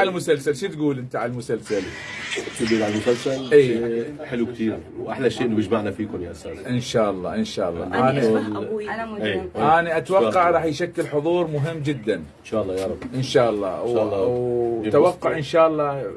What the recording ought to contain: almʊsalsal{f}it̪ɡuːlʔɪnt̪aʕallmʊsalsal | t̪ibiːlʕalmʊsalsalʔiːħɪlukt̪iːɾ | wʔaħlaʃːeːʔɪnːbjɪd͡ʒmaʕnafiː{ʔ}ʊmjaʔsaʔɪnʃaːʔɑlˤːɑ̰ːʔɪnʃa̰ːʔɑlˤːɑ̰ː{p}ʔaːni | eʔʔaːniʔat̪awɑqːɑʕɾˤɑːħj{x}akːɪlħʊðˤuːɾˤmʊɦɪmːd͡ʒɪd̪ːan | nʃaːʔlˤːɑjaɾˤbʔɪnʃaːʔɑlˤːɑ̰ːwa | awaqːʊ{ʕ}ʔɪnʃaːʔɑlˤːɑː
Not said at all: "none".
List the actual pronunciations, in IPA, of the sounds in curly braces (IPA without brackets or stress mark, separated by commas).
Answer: ʃ, k, ʔ, ʃ, ʕ